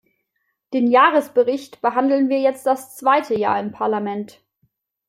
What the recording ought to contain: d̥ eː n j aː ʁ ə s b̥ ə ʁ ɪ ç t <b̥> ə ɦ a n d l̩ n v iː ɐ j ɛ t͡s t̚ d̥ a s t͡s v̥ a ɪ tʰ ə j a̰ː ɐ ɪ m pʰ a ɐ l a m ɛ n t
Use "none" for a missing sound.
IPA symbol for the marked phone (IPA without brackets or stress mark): b̥